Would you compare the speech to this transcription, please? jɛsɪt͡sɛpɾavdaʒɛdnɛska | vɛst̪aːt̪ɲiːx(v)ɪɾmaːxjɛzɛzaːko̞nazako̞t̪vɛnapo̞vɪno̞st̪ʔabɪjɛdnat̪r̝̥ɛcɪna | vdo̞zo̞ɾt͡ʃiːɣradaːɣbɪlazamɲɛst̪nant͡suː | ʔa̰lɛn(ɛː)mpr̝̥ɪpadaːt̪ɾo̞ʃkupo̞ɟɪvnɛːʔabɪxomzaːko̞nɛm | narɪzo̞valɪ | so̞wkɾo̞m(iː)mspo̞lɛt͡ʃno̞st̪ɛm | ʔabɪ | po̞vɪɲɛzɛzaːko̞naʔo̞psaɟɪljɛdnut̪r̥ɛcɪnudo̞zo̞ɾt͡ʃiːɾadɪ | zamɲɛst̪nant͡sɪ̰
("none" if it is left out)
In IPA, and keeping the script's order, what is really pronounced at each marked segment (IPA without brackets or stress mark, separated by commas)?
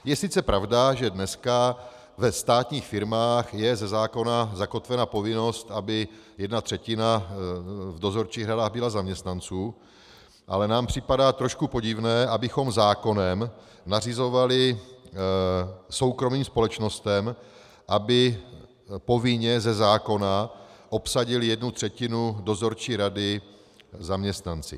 f, aː, iː